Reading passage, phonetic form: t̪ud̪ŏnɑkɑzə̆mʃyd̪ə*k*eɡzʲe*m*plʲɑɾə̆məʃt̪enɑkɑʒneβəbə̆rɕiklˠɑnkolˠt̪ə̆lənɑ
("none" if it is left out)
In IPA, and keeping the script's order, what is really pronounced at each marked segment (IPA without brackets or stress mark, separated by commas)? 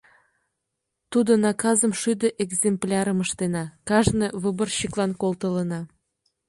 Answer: ʔ, m